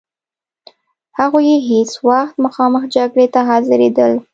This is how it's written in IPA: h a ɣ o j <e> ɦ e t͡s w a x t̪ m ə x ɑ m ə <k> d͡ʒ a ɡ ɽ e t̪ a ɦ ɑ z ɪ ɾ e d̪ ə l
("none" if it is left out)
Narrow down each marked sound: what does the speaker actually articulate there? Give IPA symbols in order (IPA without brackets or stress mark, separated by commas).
e, x